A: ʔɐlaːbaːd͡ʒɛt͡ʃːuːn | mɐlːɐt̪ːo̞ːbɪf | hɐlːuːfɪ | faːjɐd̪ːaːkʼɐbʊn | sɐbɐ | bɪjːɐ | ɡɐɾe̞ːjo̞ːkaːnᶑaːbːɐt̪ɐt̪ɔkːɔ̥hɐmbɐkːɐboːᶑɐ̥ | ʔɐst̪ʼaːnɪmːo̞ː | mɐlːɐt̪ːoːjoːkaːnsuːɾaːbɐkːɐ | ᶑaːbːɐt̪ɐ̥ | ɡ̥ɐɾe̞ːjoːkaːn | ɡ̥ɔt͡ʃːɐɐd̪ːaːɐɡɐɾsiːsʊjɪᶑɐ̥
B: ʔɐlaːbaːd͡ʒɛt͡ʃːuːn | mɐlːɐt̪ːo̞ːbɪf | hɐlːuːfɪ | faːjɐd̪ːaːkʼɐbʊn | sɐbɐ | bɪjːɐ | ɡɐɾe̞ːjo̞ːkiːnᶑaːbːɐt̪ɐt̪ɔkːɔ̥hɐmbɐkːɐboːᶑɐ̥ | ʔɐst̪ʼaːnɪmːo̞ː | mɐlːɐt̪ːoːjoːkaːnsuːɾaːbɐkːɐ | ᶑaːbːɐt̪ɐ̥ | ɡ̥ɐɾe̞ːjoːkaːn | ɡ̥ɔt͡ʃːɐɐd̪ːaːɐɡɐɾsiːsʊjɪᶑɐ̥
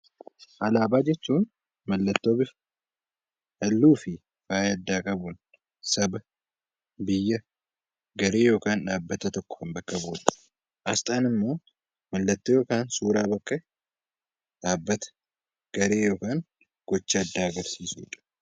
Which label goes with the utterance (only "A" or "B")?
A